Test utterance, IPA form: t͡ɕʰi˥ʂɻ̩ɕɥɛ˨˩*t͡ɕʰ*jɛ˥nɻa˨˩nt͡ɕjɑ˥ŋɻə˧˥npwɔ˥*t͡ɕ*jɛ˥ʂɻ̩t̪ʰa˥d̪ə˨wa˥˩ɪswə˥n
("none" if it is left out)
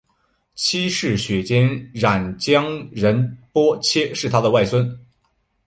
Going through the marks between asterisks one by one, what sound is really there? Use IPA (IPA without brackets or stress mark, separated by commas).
t͡ɕ, t͡ɕʰ